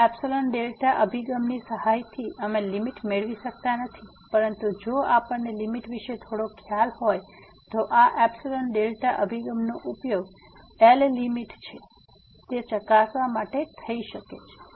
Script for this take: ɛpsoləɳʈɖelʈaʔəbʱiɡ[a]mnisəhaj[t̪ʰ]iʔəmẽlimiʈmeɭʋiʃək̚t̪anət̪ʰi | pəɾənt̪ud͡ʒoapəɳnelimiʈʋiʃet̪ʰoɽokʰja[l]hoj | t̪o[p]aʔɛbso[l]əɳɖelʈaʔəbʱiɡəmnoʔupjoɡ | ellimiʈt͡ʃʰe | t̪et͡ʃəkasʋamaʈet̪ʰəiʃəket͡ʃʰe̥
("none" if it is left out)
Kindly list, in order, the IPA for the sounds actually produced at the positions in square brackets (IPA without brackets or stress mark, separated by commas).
ə, t̪ʰ, l, ʔ, l